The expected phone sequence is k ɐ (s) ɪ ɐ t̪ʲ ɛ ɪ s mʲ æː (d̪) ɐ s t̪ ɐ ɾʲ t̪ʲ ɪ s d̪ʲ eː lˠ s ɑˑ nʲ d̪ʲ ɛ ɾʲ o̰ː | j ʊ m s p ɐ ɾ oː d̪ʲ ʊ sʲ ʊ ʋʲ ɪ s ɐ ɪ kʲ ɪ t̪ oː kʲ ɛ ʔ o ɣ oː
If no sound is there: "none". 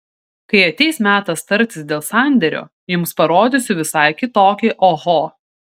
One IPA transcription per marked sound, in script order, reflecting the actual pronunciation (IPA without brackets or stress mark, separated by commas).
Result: none, t̪